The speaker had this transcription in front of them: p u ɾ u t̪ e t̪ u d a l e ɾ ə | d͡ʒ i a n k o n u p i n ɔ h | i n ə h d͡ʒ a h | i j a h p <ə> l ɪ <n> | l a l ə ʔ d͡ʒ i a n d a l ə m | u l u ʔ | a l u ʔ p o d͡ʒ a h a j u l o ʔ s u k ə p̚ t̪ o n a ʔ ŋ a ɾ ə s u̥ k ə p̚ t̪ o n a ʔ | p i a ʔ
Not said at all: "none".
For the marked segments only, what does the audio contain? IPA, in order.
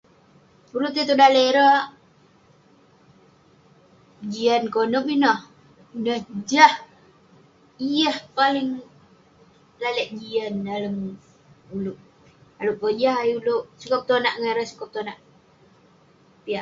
a, ŋ

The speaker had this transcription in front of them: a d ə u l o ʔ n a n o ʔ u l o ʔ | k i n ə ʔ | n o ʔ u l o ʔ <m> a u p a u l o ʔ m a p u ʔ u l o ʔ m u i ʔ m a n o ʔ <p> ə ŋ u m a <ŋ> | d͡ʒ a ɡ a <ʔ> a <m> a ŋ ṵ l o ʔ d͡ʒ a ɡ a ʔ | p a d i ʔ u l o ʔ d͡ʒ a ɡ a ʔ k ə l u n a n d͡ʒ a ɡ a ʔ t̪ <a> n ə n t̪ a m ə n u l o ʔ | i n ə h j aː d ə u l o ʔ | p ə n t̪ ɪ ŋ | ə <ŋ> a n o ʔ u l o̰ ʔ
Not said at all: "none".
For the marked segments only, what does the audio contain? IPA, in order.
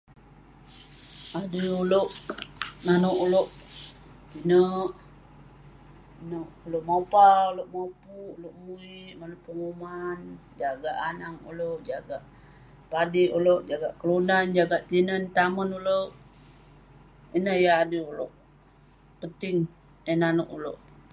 m, p, n, ʔ, n, i, n

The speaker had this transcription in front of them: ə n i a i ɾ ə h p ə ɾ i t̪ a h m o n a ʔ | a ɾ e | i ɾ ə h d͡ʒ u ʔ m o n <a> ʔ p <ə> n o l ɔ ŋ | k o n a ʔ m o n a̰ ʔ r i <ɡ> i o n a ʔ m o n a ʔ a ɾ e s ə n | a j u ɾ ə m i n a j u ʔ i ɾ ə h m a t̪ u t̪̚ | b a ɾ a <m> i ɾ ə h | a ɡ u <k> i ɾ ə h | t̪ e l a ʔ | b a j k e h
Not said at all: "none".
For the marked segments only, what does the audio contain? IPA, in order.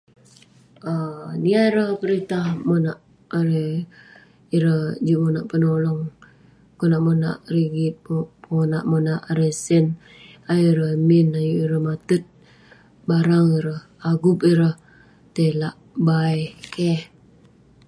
a, ə, ɡ, ŋ, p

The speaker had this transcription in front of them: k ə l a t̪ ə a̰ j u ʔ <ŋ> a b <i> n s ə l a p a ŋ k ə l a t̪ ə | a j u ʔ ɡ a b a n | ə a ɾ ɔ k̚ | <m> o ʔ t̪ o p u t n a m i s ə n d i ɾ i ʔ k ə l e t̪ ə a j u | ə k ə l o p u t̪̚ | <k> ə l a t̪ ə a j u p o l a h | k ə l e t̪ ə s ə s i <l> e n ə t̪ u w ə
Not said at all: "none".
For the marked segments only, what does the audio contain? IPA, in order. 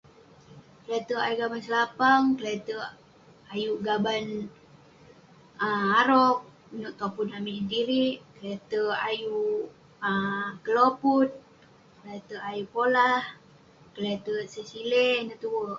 ɡ, a, n, k, l

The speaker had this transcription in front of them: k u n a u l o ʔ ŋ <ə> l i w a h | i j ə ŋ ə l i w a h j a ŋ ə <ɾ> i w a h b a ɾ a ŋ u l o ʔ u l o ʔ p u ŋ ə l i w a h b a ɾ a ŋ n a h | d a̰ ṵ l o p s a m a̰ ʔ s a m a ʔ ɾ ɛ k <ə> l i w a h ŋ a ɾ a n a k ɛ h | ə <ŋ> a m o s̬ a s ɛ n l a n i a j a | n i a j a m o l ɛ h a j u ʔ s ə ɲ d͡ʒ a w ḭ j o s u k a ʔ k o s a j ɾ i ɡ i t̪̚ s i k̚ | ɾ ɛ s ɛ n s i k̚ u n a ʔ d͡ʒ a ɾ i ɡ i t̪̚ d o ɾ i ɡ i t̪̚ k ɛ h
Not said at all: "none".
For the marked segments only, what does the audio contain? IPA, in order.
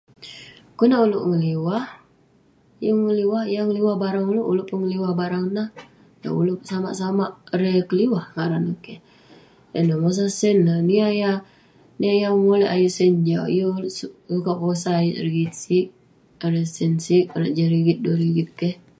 ə, l, ə, n

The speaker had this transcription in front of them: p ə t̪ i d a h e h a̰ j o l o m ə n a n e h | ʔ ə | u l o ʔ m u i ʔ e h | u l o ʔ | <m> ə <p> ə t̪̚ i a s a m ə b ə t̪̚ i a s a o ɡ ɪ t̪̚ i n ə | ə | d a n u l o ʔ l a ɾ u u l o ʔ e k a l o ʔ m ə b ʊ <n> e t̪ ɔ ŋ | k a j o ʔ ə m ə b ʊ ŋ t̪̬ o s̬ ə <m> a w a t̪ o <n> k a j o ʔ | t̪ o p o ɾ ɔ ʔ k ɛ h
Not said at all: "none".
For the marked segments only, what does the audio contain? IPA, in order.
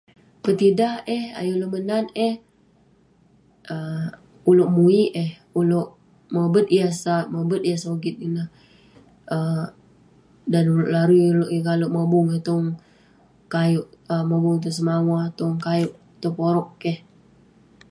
m, b, ŋ, m, ŋ

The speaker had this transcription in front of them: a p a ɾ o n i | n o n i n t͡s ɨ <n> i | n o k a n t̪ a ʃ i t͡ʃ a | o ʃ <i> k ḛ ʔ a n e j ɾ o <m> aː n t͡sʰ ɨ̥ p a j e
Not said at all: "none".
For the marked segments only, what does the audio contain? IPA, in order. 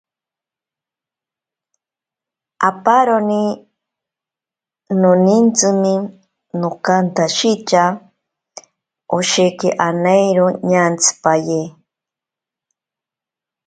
m, e, ɲ

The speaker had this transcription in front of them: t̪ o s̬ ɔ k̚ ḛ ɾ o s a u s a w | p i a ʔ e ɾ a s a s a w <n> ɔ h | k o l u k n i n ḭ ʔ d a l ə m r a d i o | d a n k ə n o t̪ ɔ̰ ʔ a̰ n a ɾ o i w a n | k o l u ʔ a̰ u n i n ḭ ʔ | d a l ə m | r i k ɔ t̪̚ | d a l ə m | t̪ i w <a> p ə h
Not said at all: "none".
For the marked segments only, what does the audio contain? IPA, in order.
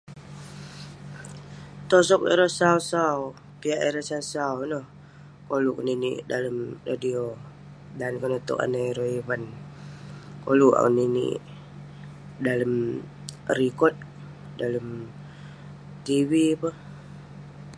n, i

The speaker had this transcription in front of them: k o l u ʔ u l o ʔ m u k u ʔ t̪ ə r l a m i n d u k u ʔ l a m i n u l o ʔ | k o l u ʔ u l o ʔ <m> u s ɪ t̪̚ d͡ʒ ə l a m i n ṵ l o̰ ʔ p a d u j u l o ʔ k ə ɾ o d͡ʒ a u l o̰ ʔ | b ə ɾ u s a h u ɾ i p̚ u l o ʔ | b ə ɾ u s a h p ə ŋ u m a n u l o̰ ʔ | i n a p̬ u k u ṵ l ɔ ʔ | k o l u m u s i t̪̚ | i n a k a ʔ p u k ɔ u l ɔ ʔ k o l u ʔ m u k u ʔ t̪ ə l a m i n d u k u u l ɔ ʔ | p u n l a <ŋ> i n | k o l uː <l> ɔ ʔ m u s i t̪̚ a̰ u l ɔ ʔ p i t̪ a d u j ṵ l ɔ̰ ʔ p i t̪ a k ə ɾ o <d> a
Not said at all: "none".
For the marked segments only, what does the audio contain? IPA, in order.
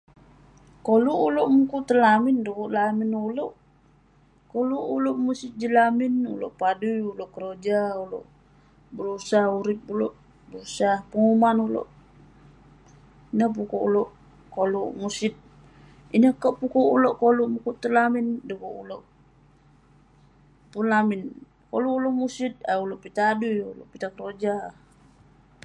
m, m, l, d͡ʒ

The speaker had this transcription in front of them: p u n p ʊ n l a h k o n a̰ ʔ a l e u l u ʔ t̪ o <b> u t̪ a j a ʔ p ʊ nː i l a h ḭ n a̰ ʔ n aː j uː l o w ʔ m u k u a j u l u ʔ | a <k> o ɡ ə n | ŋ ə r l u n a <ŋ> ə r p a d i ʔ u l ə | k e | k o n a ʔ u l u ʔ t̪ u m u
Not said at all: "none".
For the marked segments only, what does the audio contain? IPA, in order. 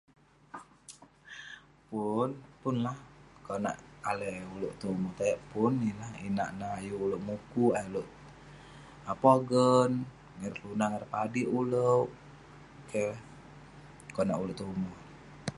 m, p, ŋ

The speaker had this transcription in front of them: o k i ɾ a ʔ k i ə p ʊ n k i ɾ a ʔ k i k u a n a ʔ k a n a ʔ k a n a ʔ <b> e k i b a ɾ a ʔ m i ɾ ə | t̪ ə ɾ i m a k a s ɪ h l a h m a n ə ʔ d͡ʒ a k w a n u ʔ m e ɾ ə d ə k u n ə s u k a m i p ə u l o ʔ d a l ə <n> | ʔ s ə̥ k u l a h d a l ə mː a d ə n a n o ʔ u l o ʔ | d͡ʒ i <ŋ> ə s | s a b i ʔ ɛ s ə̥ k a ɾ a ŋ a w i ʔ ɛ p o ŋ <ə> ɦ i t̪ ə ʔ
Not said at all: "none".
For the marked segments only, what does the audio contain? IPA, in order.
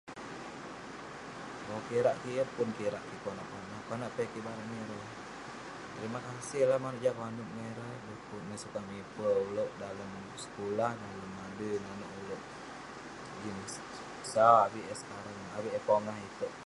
p, m, n, a

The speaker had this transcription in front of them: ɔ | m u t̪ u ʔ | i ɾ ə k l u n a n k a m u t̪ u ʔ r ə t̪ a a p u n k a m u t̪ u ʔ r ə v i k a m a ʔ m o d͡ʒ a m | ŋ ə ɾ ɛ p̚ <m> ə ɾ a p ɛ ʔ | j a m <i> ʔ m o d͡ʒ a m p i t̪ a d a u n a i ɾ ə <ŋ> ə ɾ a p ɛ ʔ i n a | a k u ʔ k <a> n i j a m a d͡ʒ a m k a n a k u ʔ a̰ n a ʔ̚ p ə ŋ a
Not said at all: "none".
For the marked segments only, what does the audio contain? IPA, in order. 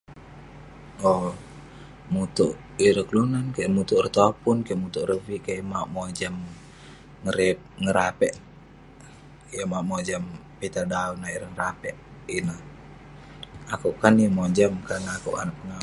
ŋ, a, ŋ, a

